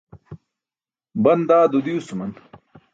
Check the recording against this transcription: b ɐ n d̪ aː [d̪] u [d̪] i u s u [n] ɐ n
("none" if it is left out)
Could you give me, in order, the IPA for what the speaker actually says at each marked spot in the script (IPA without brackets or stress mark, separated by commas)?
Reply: d̪, d̪, m